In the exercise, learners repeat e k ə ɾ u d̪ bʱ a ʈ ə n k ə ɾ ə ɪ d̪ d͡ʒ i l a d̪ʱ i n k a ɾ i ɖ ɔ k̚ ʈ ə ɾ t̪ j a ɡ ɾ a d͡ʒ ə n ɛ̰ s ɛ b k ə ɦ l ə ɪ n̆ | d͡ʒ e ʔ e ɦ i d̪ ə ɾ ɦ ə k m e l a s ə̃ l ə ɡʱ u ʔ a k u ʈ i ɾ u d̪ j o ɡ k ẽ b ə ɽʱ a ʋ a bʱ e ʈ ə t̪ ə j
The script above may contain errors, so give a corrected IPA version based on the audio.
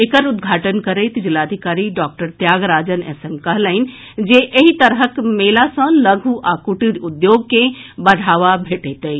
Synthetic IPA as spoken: e k ə ɾ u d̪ ɡʱ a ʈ ə n k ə ɾ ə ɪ t̪ d͡ʒ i l a d̪ʱ i k a ɾ i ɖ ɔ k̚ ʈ ə ɾ t̪ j a ɡ ɾ a d͡ʒ ə n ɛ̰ s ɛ m k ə ɦ l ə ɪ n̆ | d͡ʒ e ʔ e ɦ i t̪ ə ɾ ɦ ə k m e l a s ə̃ l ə ɡʱ u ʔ a k u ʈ i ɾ u d̪ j o ɡ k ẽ b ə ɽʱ a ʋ a bʱ e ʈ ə t̪ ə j